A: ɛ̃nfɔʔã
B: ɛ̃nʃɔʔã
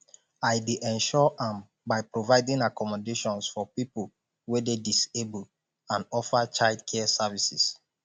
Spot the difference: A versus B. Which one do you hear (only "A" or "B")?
B